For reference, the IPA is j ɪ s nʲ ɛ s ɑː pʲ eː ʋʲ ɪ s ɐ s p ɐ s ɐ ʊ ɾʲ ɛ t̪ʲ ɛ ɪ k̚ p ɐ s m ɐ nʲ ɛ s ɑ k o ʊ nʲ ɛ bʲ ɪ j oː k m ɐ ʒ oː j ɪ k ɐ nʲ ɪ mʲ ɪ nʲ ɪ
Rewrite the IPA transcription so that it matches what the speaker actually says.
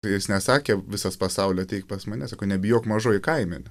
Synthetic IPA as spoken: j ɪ s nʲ ɛ s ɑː kʲ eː ʋʲ ɪ s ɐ s p ɐ s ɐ ʊ lʲ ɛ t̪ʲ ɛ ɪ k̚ p ɐ s m ɐ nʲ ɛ s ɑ k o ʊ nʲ ɛ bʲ ɪ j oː k m ɐ ʒ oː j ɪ k ɐ ɪ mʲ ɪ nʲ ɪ